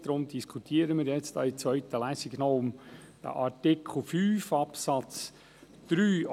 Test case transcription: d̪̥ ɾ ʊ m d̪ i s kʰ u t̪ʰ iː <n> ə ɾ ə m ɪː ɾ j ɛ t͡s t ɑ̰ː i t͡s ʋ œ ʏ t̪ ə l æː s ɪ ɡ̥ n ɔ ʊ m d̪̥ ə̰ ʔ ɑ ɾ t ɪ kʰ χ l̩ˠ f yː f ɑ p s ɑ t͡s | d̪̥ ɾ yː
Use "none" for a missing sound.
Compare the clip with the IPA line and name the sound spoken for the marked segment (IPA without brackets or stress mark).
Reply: none